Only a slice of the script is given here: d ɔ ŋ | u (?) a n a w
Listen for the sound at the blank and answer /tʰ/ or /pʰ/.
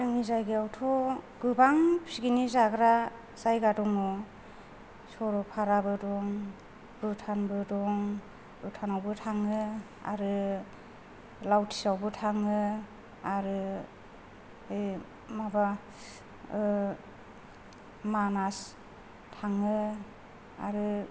tʰ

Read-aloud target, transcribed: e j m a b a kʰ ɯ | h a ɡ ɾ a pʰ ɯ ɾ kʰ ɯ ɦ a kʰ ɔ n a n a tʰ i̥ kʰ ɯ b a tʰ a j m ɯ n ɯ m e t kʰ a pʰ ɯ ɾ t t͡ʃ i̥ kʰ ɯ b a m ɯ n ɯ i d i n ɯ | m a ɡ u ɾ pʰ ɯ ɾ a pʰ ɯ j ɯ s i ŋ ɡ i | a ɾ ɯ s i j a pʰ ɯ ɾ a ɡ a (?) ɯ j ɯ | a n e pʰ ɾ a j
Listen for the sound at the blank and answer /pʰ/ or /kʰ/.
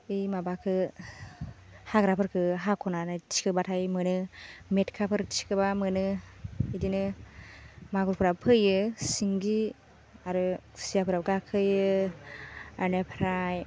kʰ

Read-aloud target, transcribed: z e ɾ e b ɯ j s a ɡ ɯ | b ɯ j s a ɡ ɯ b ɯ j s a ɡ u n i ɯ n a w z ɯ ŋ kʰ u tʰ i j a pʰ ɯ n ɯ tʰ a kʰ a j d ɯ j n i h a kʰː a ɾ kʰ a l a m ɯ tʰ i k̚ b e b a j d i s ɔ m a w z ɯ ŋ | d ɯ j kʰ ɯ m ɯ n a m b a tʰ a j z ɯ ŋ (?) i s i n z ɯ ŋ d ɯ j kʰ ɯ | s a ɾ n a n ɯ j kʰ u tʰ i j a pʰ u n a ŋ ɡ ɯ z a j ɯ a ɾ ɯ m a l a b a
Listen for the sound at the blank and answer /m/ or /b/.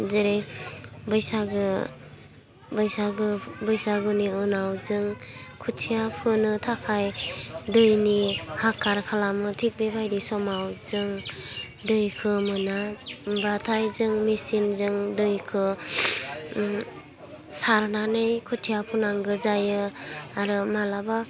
m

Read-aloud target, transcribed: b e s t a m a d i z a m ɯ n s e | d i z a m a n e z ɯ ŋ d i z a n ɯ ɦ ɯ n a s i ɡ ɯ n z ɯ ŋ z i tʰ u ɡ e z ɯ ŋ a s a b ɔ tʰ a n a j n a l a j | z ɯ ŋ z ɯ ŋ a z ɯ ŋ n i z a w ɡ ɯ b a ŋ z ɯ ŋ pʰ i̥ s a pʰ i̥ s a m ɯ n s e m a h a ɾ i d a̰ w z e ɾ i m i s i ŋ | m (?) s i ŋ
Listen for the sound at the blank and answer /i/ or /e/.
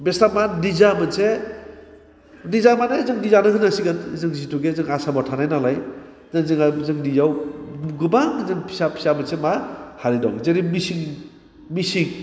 i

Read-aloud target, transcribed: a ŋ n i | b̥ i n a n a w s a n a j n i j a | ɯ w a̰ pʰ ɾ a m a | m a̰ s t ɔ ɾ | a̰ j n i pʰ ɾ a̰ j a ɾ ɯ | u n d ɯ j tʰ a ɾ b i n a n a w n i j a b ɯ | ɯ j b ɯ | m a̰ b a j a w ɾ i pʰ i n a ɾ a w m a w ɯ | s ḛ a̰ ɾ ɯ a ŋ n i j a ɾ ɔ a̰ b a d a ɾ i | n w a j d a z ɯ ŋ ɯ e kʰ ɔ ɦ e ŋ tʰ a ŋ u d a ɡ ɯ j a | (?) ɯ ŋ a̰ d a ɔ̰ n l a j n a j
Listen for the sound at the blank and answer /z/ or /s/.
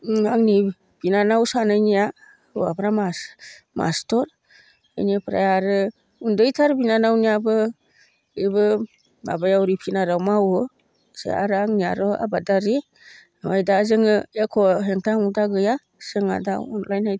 s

